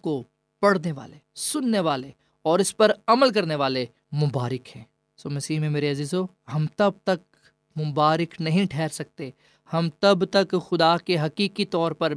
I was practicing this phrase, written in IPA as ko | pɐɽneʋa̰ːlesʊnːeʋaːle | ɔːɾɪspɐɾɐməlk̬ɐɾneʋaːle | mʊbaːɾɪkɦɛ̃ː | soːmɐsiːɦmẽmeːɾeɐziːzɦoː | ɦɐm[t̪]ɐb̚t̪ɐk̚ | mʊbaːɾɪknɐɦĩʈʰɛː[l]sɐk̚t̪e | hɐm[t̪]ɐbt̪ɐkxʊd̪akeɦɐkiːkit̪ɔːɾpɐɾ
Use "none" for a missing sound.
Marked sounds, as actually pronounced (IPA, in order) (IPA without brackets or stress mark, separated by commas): t̪, ɾ, t̪